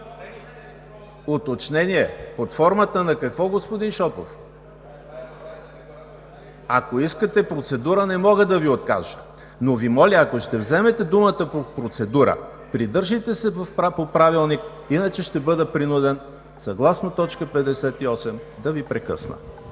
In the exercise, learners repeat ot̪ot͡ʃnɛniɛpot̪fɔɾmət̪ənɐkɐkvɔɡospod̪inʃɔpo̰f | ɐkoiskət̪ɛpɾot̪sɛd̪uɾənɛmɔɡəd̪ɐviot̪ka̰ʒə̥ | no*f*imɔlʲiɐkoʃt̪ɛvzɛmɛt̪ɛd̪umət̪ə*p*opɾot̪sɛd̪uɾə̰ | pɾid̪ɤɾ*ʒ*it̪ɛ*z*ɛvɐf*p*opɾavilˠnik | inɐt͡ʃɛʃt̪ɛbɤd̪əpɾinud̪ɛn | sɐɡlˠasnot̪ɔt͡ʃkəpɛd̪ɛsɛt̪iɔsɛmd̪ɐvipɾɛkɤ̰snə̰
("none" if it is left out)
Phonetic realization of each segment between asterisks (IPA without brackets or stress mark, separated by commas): v, p, ʒ, s, p